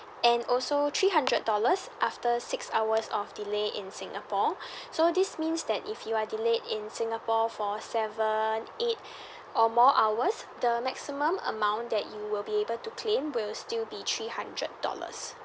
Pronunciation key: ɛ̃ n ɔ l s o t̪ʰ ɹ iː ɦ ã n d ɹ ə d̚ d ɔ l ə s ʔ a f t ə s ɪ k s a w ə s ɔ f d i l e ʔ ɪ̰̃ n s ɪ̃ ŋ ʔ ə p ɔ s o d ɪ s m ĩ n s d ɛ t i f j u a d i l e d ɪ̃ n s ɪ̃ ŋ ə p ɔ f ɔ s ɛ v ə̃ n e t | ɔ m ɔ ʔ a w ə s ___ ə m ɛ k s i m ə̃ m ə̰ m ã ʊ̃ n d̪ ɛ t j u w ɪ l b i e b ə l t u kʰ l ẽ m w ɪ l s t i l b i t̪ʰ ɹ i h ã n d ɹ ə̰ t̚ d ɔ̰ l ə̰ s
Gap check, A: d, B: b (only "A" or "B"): A